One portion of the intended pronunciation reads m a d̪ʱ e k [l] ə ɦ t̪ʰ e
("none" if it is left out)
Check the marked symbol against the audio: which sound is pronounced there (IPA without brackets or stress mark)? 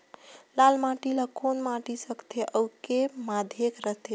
ɾ